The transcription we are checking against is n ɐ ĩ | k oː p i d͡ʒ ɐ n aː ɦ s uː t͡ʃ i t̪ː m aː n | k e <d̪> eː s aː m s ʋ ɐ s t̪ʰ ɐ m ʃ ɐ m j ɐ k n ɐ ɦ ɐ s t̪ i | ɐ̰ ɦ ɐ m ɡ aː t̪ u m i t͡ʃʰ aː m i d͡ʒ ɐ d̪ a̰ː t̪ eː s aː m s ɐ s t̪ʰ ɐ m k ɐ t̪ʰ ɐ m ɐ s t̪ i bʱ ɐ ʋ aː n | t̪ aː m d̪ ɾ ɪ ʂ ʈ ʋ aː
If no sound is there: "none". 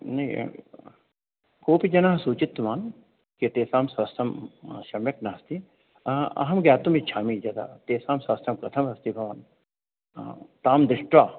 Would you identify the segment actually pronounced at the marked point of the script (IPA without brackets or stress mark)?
t̪